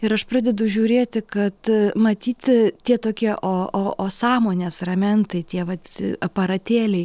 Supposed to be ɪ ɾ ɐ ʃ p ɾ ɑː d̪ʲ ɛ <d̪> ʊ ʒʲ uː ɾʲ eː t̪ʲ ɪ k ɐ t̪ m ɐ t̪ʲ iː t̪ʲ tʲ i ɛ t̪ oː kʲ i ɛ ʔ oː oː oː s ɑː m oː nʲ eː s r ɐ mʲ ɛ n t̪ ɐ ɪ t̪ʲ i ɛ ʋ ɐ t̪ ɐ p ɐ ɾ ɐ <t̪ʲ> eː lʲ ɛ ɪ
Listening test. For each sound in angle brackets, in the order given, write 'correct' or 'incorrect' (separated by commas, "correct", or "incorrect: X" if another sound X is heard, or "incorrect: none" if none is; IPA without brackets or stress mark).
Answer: correct, correct